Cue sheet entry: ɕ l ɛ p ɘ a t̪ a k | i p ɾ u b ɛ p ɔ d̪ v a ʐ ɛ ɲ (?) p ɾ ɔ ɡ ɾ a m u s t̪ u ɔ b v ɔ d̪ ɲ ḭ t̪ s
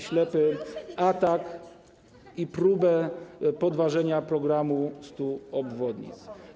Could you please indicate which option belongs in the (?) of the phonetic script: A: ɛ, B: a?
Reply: B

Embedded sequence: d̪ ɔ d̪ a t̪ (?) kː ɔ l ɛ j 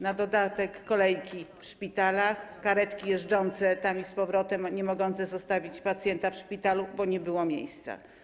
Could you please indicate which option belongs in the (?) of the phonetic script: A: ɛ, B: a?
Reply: A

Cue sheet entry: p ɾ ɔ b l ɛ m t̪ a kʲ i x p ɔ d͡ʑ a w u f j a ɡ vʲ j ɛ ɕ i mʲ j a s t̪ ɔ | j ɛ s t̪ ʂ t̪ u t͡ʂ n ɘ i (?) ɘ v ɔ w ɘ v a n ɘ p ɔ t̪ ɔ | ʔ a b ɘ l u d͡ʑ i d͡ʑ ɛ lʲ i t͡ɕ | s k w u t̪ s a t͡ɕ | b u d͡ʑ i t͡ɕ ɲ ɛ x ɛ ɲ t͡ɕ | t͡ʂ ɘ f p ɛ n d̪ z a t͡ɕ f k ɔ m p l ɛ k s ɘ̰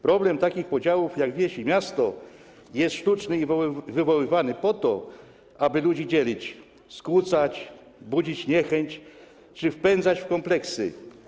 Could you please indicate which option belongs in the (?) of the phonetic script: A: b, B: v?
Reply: B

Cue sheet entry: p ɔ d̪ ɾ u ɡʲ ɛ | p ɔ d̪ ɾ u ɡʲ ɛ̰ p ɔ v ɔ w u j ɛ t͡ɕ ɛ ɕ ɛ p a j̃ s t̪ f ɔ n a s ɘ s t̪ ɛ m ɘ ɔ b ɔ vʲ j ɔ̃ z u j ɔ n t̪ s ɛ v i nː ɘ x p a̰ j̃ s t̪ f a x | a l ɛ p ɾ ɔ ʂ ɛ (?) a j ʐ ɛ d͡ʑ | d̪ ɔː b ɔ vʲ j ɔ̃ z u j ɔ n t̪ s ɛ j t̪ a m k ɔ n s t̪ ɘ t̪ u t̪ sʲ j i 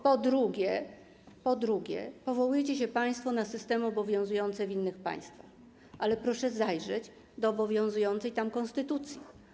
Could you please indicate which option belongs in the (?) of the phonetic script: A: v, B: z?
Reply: B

